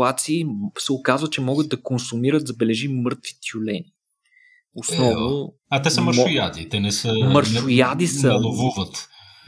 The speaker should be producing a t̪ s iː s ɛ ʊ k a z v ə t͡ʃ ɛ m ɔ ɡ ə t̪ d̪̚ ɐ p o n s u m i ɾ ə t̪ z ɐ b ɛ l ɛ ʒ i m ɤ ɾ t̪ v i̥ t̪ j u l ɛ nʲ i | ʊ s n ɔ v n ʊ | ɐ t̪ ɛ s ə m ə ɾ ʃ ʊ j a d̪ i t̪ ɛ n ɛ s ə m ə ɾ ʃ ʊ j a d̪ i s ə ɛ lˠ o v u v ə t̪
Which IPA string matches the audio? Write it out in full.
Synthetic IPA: a t̪ s iː s ɛ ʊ k a z v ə t͡ʃ ɛ m ɔ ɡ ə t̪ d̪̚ ɐ k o n s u m i ɾ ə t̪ z ɐ b ɛ l ɛ ʒ i m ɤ ɾ t̪ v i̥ t̪ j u l ɛ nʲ i | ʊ s n ɔ v n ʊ | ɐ t̪ ɛ s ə m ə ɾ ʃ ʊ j a d̪ i t̪ ɛ n ɛ s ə m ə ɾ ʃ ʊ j a d̪ i s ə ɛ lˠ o v u v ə t̪